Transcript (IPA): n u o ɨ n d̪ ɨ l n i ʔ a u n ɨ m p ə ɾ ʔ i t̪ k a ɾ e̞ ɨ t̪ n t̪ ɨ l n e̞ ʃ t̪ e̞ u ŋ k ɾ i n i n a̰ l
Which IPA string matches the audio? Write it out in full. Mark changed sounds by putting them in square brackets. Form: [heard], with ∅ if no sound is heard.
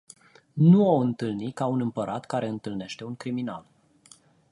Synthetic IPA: n u o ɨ n [t̪] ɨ l n i [k] a u n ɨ m p ə ɾ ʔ [a] t̪ k a ɾ e̞ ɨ [∅] n t̪ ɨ l n e̞ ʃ t̪ e̞ u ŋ k ɾ i [m] i n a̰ l